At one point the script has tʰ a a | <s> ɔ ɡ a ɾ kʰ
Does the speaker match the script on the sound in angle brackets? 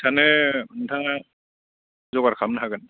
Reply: no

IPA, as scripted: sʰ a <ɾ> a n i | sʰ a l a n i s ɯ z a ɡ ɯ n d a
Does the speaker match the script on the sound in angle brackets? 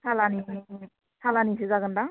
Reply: no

